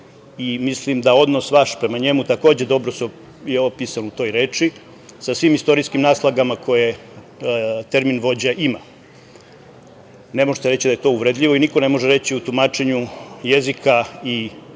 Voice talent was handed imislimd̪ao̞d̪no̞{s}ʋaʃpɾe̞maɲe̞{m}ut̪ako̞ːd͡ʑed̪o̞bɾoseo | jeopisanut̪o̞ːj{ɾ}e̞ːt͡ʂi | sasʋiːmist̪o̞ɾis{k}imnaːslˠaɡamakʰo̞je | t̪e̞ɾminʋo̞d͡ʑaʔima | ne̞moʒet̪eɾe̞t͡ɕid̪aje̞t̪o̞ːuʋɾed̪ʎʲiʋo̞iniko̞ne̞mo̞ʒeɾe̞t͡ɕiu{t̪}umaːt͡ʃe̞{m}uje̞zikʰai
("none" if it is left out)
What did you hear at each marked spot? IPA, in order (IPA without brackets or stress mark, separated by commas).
s, m, ɾ, k, t̪, ɲ